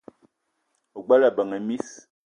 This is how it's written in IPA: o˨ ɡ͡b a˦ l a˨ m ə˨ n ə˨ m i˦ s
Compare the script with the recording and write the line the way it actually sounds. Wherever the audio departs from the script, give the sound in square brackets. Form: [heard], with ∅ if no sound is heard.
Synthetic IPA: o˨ ɡ͡b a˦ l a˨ [b] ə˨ [ŋ] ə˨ m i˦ s